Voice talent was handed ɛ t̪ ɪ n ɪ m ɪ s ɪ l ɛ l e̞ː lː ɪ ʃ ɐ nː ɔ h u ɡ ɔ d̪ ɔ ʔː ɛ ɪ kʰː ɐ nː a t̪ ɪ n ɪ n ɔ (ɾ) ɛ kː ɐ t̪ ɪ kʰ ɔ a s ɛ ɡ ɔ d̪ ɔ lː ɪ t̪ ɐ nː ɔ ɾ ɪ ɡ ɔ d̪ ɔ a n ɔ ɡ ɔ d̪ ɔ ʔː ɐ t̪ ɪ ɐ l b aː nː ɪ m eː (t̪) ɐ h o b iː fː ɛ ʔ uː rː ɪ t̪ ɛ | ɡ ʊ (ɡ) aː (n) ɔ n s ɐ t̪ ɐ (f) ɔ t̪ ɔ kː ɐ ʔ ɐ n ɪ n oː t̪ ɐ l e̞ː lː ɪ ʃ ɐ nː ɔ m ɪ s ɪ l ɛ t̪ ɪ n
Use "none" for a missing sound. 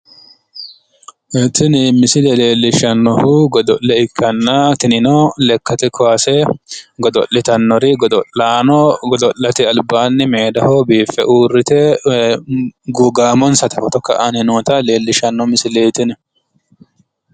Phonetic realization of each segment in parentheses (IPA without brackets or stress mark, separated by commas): l, d̪, ɡ, m, f